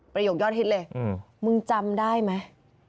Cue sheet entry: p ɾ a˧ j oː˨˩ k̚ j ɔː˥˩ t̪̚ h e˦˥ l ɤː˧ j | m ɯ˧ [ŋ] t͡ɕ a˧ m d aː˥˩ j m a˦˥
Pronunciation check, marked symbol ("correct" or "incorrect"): correct